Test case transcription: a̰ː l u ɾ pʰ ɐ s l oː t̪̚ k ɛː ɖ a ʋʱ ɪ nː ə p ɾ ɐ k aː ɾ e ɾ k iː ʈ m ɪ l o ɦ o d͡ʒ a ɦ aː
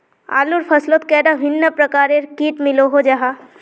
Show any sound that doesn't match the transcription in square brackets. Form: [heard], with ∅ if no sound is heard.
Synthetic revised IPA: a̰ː l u ɾ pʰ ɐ s l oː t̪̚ k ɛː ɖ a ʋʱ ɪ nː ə p ɾ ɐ k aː ɾ e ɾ k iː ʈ m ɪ l o ɦ o d͡ʒ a ɦ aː